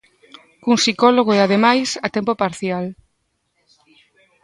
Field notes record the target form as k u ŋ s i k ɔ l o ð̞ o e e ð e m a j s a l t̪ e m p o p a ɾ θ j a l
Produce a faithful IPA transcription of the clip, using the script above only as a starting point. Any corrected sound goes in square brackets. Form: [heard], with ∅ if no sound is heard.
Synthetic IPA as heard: k u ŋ s i k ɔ l o [ɣ̞] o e [a] ð e m a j s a [∅] t̪ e m p o p a ɾ θ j a l